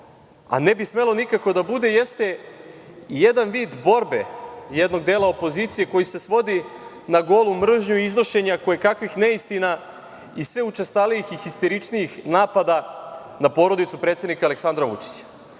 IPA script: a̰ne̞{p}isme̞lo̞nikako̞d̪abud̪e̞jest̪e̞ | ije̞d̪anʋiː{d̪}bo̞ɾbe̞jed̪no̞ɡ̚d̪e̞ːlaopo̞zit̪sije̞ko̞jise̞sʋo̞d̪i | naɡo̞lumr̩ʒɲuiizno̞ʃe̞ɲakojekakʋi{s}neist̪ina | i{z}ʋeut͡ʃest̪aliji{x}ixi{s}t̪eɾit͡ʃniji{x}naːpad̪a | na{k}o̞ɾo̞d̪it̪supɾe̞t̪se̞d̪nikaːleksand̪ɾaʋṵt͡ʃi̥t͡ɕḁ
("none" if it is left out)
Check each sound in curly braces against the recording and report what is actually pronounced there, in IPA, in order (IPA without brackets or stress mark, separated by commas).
b, d̪, x, s, x, s, x, p